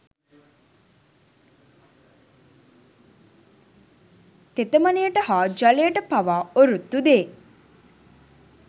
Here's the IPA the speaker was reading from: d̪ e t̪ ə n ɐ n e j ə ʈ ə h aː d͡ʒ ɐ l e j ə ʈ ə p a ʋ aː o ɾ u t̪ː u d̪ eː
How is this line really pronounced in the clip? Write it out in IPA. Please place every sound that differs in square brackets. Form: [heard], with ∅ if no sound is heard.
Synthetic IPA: [t̪] e t̪ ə [m] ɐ n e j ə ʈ ə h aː d͡ʒ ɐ l e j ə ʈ ə p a ʋ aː o ɾ u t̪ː u d̪ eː